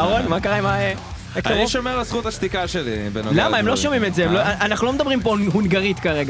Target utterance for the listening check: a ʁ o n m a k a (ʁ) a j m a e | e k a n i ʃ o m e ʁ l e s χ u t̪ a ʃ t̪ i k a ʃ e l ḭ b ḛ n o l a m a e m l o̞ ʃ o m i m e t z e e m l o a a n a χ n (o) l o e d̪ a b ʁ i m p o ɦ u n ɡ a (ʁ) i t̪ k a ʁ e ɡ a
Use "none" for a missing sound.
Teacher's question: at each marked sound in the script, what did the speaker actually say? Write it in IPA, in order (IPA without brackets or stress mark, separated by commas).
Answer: ʁ, u, ʁ